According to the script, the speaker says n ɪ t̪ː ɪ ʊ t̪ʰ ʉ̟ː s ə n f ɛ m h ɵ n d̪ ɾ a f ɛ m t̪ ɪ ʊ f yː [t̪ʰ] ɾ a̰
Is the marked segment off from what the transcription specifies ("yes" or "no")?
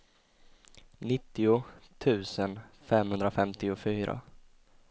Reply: yes